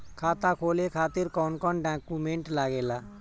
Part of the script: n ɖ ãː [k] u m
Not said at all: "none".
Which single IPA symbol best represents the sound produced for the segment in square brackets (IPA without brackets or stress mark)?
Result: k